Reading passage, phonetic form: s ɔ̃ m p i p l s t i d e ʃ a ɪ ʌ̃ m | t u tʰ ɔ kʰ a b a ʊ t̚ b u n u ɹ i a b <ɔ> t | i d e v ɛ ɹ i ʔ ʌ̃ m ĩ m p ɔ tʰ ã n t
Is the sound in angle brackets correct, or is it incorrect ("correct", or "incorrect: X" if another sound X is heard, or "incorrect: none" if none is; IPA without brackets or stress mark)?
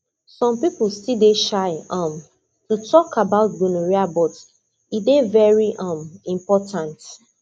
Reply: correct